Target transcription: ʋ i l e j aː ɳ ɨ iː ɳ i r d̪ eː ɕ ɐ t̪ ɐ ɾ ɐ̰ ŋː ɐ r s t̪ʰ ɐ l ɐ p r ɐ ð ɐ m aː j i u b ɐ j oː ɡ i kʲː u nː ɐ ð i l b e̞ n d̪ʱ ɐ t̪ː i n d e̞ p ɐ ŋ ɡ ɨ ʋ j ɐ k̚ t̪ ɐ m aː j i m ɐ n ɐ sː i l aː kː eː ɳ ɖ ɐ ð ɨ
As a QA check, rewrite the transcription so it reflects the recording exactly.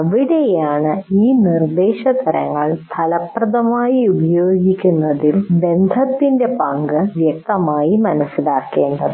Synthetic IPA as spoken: ʋ i ɽ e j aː ɳ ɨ iː n i r d̪ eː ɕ ɐ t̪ ɐ ɾ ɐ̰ ŋː ɐ ɭ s t̪ʰ ɐ l ɐ p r ɐ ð ɐ m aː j i u b ɐ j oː ɡ i kʲː u nː ɐ ð i l b e̞ n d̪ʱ ɐ t̪ː i n d e̞ p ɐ ŋ ɡ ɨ ʋ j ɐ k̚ t̪ ɐ m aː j i m ɐ n ɐ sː i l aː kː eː ɳ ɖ ɐ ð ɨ